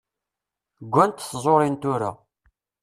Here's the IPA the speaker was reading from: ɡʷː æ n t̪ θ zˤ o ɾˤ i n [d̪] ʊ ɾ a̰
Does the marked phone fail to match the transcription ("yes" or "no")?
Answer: yes